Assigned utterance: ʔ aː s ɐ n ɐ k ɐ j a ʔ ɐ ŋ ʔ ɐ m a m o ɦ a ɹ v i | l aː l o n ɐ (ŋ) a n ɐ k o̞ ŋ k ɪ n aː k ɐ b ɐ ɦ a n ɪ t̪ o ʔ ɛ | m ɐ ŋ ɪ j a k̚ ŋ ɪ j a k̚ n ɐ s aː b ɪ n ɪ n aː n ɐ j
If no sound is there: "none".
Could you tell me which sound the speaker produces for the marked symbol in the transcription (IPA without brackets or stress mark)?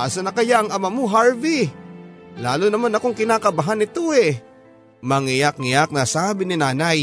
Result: m